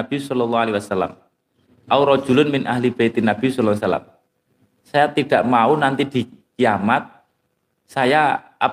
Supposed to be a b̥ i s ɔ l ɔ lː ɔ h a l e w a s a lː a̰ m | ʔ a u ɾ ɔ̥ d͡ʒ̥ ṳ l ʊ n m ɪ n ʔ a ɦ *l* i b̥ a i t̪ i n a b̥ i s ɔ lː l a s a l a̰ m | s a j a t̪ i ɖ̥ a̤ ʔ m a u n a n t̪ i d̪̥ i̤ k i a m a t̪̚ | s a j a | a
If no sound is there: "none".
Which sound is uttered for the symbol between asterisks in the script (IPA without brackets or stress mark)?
l